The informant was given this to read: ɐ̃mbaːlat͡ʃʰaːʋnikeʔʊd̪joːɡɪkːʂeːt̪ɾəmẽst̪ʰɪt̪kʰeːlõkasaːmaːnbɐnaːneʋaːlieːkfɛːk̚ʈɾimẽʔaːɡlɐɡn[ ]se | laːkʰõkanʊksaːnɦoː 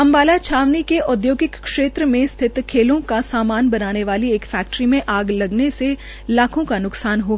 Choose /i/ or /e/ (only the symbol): e